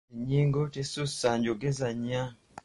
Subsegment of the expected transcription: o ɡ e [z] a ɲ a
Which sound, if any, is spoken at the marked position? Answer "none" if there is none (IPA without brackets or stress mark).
z